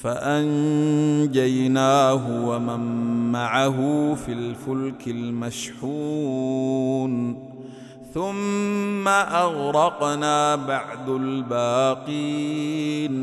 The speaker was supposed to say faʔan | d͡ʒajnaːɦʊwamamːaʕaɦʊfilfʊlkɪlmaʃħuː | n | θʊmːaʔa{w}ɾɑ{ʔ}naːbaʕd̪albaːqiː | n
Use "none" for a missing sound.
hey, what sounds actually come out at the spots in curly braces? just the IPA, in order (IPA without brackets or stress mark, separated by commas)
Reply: ɣ, q